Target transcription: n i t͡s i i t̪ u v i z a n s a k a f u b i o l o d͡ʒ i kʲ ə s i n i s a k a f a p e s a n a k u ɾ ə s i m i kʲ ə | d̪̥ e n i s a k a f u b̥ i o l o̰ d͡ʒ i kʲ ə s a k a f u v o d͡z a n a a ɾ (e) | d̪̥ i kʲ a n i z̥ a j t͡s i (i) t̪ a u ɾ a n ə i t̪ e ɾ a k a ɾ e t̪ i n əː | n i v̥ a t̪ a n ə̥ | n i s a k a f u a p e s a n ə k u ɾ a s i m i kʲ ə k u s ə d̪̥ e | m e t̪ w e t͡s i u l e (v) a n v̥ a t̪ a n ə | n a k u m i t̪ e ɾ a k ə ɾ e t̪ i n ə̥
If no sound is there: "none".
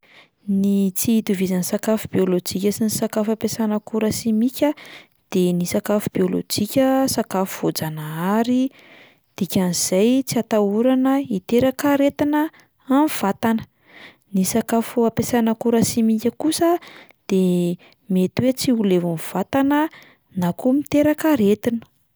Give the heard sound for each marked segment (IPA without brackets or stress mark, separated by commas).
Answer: i, a, v